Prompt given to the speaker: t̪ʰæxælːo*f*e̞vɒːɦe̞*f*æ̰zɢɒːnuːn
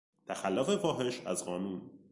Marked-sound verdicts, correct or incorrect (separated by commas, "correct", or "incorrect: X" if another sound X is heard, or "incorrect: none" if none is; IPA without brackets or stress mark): correct, incorrect: ʃ